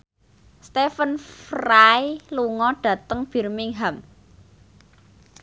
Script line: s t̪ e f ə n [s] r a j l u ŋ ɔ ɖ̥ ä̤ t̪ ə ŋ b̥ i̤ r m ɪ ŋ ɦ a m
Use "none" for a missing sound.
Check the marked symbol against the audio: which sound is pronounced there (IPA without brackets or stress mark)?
f